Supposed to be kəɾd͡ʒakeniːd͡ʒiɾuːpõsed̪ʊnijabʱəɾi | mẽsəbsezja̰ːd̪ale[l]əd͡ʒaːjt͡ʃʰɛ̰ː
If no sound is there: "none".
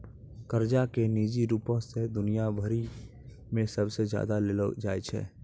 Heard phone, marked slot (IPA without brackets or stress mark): l